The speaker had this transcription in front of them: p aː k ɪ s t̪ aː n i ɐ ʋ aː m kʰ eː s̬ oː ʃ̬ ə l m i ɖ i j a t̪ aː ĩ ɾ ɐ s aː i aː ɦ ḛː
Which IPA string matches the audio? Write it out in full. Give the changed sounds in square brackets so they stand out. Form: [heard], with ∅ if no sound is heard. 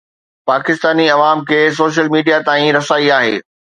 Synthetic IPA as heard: p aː k ɪ s t̪ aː n i ɐ ʋ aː m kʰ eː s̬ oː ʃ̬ ə l m [iː] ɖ i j a t̪ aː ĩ ɾ ɐ s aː i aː ɦ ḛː